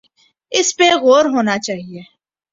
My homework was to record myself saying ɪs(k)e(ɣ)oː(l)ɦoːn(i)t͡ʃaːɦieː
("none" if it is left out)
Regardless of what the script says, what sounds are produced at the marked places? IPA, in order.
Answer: p, ɣ, ɾ, a

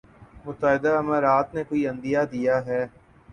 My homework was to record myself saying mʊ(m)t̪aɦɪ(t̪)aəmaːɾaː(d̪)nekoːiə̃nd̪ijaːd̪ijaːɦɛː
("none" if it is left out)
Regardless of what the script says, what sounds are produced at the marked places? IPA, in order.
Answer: none, d̪, t̪

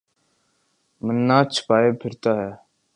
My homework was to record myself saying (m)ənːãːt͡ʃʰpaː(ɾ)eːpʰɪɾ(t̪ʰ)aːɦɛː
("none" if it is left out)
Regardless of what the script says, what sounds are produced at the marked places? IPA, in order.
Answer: m, none, t̪

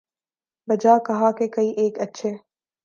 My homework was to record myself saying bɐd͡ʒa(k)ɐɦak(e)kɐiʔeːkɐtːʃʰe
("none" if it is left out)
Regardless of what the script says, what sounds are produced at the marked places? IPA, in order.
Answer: k, e

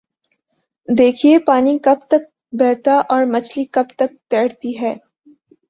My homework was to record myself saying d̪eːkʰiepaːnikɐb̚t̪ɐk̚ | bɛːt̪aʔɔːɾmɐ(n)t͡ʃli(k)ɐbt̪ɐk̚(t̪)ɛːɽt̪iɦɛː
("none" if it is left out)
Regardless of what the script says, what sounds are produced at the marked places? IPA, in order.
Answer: none, k, t̪

